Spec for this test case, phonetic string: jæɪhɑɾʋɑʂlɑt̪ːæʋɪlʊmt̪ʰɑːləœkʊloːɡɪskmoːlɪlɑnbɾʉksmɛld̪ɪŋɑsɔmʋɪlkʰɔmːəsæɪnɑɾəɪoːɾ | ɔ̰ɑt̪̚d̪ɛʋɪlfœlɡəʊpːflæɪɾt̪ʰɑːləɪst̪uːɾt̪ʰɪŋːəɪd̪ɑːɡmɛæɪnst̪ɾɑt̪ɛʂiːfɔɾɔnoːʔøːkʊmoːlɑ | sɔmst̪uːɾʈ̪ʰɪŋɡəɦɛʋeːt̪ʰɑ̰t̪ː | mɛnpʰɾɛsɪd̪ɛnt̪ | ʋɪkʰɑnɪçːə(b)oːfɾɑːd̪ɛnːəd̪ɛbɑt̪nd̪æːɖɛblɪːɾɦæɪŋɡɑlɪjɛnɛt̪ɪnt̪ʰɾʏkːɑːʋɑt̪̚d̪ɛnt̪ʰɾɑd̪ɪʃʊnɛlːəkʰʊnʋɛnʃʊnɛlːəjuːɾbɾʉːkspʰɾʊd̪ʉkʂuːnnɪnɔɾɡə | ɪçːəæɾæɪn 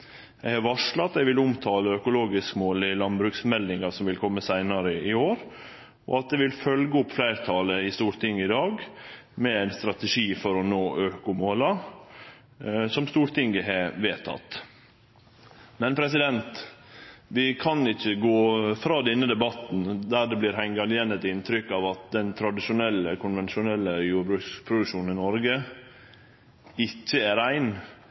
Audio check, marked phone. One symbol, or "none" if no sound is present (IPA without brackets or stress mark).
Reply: ɡ